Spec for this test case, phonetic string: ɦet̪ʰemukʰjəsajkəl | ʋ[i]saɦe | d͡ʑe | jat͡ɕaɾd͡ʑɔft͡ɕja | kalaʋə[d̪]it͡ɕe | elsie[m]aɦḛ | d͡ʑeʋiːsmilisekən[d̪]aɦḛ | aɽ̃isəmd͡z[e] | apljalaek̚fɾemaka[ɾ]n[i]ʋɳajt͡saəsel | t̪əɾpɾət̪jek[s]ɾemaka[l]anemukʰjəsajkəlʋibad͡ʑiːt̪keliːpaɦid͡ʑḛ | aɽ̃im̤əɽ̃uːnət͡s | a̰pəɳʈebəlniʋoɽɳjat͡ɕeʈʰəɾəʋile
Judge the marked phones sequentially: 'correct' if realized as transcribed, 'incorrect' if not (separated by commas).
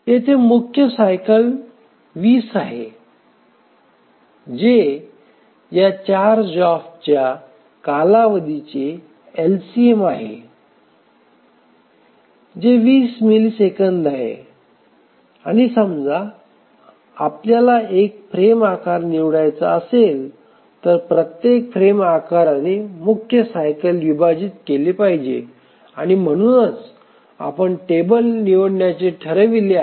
incorrect, correct, correct, correct, incorrect, correct, correct, incorrect, incorrect